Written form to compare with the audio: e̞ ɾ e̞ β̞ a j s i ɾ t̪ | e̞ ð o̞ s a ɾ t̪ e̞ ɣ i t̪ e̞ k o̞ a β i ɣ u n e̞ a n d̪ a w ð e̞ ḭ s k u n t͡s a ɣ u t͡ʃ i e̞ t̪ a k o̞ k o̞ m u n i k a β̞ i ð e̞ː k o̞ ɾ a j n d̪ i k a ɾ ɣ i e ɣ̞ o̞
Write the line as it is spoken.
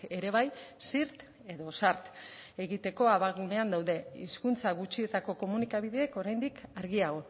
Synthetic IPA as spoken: e̞ ɾ e̞ β̞ a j s i ɾ t̪ | e̞ ð o̞ s a ɾ t̪ e̞ ɣ i t̪ e̞ k o̞ a β a ɣ u n e̞ a n d̪ a w ð e̞ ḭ s k u n t͡s a ɣ u t͡ʃ i e̞ t̪ a k o̞ k o̞ m u n i k a β̞ i ð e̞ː k o̞ ɾ a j n d̪ i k a ɾ ɣ i a ɣ̞ o̞